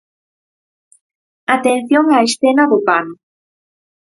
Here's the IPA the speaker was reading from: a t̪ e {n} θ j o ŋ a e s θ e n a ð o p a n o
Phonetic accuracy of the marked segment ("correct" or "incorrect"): correct